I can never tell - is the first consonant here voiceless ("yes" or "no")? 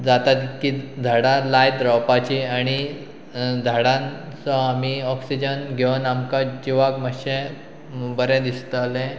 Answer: no